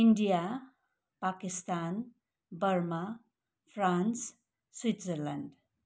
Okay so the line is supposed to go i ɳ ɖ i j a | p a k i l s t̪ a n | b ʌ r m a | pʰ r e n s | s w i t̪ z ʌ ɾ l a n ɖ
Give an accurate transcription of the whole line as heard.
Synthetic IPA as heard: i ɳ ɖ i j a | p a k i s t̪ a n | b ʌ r m a | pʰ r a n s | s w i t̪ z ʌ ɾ l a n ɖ